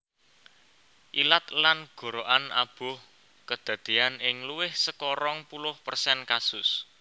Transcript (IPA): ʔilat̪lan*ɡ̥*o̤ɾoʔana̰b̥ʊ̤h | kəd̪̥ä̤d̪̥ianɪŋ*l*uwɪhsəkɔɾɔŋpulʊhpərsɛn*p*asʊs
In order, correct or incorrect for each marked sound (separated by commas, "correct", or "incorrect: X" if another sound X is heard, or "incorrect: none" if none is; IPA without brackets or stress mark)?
correct, correct, incorrect: k